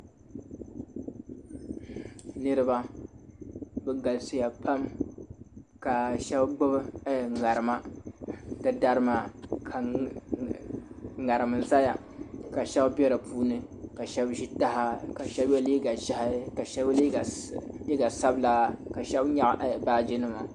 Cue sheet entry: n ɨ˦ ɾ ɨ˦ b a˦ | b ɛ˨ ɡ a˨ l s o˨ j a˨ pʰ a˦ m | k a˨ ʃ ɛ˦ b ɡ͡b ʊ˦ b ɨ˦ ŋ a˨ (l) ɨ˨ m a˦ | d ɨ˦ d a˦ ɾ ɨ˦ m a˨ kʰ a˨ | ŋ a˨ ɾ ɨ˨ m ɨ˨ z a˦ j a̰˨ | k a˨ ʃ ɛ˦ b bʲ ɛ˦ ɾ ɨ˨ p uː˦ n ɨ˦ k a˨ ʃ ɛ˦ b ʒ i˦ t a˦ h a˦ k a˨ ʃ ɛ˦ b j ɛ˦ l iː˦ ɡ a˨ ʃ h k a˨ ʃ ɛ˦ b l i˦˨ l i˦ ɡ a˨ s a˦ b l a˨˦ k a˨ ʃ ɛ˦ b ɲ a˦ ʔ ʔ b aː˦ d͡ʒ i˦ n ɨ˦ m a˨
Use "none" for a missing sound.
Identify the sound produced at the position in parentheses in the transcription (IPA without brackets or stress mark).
ɾ